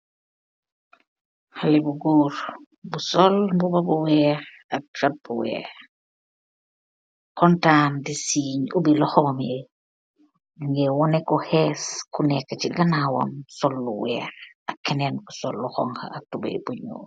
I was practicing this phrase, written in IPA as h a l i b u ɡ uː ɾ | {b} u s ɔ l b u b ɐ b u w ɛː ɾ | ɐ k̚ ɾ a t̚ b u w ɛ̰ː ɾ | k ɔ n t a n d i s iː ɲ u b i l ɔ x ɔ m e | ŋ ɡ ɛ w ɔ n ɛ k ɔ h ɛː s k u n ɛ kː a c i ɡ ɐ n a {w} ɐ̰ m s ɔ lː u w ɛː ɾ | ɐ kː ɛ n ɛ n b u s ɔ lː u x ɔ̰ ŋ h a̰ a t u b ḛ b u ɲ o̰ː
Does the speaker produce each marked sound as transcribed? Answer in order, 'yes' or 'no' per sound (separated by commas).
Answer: yes, yes